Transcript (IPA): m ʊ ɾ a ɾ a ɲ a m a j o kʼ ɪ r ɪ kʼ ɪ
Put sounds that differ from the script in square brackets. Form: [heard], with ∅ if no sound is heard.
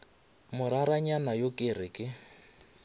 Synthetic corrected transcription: m ʊ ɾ a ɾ a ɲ a [n] a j o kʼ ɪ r ɪ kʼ ɪ